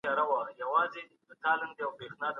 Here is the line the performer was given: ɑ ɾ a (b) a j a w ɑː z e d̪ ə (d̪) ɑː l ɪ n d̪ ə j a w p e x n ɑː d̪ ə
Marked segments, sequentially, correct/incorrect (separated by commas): incorrect, incorrect